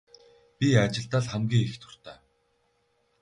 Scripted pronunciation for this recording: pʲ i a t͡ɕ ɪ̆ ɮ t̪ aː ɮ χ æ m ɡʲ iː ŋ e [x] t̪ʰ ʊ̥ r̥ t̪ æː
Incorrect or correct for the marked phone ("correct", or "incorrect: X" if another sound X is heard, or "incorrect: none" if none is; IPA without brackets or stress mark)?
correct